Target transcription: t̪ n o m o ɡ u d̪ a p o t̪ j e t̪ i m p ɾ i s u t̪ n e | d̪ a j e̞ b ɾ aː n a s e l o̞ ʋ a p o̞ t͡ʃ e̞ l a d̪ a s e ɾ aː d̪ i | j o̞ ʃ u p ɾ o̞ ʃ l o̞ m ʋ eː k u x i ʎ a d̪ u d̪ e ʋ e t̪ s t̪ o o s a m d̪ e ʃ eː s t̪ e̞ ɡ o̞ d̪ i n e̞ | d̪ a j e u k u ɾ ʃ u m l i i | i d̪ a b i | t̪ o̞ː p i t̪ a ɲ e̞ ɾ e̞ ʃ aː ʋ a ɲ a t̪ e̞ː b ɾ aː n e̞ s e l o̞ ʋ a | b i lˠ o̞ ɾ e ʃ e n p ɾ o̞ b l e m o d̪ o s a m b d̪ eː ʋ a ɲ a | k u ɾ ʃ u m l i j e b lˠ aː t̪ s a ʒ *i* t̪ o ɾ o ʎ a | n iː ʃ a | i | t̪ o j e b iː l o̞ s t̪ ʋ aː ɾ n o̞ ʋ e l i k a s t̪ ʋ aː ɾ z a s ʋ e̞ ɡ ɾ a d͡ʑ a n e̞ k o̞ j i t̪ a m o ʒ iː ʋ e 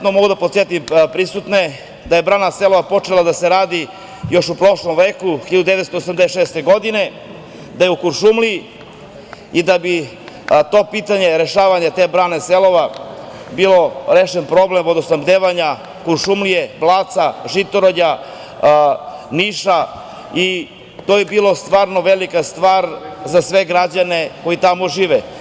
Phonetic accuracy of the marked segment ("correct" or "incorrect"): correct